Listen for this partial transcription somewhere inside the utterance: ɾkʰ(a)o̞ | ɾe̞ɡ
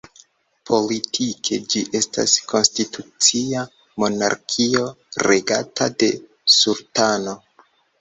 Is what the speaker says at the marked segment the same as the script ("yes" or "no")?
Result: no